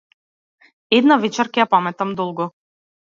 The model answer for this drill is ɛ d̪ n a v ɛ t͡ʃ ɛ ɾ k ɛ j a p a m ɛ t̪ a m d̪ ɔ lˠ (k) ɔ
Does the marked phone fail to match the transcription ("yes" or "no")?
yes